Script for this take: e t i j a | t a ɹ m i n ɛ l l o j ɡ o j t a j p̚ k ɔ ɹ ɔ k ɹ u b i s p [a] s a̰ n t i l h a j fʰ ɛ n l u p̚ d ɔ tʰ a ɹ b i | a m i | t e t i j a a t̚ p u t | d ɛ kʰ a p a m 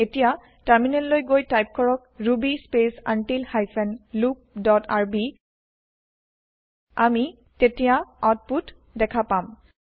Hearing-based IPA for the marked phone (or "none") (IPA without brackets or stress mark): e